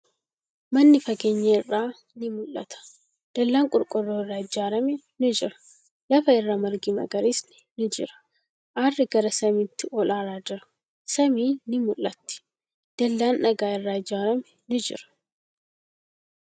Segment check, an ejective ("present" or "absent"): present